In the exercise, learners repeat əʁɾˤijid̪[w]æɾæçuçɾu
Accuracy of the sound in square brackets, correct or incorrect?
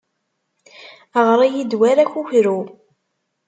correct